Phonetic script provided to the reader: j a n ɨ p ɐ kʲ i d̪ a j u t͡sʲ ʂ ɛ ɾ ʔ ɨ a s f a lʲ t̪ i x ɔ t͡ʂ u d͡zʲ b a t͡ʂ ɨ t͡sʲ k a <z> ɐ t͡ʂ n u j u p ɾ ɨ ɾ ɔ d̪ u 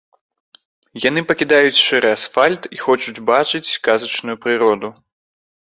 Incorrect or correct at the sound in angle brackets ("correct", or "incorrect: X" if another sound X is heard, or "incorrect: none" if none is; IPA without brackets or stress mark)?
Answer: correct